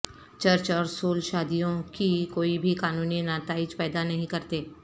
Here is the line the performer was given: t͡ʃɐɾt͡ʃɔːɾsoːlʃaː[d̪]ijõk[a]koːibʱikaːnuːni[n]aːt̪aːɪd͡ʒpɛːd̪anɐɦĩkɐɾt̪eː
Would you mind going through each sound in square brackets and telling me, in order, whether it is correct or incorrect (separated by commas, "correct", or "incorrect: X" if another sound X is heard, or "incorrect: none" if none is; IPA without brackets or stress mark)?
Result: correct, incorrect: i, correct